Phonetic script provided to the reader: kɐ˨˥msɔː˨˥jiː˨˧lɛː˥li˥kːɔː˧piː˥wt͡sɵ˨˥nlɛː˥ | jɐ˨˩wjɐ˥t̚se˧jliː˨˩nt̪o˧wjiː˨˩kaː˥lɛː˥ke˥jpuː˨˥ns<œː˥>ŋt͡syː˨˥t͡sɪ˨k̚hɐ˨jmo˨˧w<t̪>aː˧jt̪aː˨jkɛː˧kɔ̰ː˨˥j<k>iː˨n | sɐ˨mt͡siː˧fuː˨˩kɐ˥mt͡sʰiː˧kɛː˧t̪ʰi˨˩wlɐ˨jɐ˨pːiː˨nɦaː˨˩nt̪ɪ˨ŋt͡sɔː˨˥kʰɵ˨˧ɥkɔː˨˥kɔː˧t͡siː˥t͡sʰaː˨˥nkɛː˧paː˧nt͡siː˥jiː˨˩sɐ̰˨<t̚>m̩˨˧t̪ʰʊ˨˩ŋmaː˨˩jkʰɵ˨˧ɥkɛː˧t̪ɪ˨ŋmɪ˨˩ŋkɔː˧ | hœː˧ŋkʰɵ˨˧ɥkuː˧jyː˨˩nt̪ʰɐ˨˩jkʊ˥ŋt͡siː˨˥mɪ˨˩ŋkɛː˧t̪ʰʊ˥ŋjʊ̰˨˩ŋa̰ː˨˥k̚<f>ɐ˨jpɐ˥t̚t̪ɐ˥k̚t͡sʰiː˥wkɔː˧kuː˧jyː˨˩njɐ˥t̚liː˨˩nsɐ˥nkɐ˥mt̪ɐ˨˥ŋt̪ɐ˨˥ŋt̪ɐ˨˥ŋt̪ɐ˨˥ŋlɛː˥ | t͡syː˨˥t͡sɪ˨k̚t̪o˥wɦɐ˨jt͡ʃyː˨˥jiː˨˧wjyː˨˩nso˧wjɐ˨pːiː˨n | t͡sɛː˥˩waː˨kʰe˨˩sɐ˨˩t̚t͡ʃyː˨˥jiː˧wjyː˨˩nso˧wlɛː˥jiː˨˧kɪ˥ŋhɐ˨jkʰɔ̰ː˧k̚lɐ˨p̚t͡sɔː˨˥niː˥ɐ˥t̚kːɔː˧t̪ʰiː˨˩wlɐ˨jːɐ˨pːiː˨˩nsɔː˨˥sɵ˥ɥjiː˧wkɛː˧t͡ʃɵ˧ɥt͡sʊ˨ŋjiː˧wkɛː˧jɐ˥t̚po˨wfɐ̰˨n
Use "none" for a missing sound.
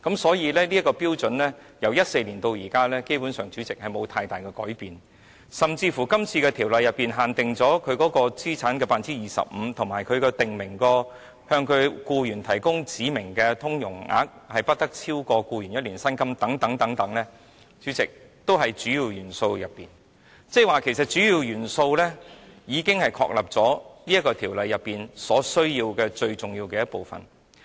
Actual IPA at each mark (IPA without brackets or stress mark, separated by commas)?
œː˨˩, t̪ʰ, p, p̚, h